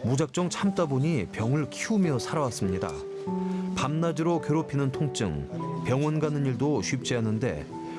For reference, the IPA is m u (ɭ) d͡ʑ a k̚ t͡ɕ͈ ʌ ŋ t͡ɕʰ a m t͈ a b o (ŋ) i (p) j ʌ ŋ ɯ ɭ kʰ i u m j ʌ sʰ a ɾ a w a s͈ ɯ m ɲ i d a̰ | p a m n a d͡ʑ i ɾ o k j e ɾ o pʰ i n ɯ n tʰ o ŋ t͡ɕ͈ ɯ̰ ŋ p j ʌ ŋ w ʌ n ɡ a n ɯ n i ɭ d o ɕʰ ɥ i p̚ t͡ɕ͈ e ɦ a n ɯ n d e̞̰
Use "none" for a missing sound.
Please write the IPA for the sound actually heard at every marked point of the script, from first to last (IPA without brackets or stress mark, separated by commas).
none, ɲ, p